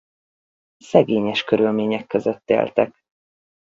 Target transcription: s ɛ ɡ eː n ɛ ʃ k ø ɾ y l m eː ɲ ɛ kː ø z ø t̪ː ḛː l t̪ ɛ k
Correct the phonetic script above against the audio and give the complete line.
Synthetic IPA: s ɛ ɡ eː ɲ ɛ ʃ k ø ɾ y l m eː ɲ ɛ kː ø z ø t̪ː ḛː l t̪ ɛ k